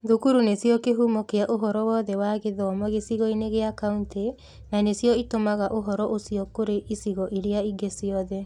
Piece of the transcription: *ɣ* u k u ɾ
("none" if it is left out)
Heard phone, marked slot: ð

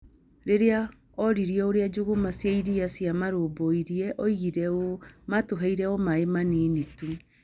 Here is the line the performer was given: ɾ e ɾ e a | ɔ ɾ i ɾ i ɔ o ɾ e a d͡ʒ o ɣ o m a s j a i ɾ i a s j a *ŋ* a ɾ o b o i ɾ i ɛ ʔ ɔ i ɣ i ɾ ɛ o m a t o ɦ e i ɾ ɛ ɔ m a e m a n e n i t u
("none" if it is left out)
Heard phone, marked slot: m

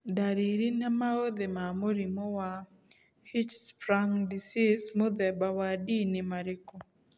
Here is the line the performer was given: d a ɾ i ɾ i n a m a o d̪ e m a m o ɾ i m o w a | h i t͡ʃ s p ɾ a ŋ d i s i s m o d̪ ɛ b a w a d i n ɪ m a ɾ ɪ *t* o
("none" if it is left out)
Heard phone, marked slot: k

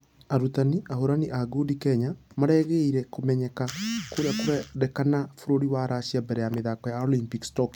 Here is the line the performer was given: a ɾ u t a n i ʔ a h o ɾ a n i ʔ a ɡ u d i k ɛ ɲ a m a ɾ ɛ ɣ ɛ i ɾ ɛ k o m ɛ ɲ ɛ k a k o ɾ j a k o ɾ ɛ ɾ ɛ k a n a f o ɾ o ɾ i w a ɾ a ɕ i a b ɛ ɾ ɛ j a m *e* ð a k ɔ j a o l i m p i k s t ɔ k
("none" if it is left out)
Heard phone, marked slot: e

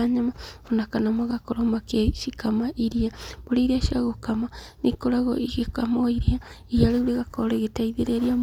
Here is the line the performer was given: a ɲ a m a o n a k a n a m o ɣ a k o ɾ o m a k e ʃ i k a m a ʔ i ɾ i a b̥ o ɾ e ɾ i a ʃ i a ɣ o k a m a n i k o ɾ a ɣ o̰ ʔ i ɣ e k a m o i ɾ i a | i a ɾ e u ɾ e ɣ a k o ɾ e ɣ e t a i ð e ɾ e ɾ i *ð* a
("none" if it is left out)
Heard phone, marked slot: none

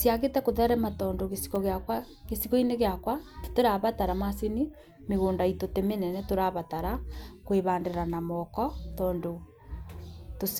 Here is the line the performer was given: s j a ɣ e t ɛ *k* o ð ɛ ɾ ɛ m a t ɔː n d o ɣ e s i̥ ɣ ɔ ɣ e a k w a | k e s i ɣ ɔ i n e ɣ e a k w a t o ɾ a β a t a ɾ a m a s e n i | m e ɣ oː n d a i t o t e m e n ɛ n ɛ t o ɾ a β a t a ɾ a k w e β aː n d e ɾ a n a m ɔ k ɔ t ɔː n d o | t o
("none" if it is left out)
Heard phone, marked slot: k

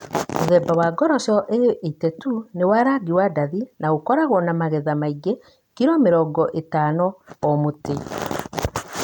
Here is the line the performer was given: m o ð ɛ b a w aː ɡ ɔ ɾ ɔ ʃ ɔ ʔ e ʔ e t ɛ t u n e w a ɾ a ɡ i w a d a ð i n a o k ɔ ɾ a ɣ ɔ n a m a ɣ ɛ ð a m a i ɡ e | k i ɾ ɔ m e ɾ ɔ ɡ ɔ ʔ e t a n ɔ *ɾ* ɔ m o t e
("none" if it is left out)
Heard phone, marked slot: none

